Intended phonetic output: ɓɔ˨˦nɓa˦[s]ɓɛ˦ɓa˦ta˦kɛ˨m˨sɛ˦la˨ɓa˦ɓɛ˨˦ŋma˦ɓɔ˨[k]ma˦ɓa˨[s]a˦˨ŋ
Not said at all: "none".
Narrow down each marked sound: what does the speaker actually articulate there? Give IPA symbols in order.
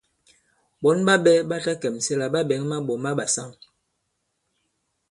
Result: none, none, s

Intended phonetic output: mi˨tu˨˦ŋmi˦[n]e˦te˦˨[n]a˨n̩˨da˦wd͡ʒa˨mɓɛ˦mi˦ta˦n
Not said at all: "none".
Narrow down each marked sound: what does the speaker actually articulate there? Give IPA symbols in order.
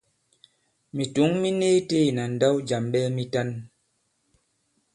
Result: n, n

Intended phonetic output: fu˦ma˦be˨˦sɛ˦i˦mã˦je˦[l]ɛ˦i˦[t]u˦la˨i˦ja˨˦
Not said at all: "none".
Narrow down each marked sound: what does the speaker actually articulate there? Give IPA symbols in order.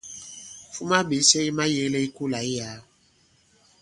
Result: l, k

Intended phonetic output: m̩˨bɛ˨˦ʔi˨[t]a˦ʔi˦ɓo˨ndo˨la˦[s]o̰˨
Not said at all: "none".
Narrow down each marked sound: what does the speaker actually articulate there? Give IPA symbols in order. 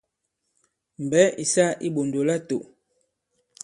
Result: s, t

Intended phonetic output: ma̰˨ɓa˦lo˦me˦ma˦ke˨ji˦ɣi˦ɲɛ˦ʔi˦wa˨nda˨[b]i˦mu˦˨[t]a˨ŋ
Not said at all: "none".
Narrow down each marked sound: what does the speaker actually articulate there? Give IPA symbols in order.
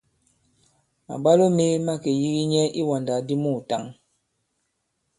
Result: d, t

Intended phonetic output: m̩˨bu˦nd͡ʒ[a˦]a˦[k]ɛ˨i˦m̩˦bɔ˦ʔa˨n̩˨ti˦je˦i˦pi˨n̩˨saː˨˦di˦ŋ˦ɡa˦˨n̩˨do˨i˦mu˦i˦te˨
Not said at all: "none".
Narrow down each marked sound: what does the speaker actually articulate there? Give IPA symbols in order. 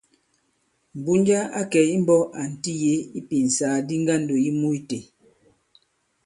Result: a˦, k

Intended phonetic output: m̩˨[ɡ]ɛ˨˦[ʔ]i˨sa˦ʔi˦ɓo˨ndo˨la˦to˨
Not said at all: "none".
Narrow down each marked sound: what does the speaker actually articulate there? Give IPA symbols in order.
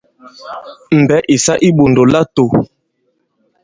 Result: b, ʔ

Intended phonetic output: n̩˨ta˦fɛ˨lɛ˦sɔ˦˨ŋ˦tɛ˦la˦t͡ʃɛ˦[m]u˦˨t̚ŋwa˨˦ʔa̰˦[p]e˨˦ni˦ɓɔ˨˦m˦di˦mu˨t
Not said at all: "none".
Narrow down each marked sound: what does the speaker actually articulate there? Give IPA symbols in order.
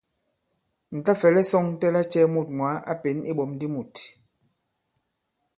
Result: m, p

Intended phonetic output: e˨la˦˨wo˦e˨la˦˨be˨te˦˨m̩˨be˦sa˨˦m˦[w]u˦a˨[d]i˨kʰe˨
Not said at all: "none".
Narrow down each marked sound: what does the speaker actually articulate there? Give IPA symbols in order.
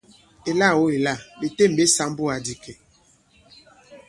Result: b, d

